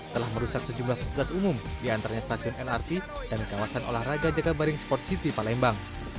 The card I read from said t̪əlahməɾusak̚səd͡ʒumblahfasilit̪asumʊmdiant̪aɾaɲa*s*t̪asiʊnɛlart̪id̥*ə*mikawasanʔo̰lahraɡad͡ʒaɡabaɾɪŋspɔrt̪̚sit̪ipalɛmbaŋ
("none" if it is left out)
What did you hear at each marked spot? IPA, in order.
s, a

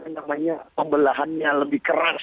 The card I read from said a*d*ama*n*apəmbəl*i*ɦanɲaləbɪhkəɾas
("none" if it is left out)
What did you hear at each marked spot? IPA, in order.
n, ɲ, a

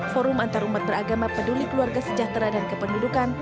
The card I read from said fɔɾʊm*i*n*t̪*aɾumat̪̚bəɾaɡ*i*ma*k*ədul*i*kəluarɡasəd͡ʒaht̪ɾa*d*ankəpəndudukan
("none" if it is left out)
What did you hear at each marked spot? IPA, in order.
a, t̪, a, p, i, d

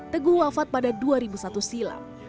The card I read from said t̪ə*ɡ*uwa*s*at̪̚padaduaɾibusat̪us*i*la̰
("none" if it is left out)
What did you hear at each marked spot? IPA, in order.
ɡ, f, i

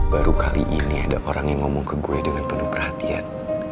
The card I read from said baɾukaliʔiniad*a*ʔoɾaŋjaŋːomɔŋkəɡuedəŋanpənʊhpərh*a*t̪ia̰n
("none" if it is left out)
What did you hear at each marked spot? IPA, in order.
a, a

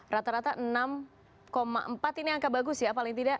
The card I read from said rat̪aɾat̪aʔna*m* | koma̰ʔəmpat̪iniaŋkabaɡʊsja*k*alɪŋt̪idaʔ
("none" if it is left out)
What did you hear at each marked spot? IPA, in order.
m, p

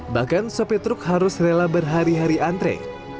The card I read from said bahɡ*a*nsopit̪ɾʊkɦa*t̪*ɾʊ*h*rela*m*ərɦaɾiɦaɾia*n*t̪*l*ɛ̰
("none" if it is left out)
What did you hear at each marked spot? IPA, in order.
a, none, s, b, n, ɾ

